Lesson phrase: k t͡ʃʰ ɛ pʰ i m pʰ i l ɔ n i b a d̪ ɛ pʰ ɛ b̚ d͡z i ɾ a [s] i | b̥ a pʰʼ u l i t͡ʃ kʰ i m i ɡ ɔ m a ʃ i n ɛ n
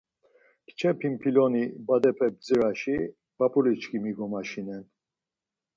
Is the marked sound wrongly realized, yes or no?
yes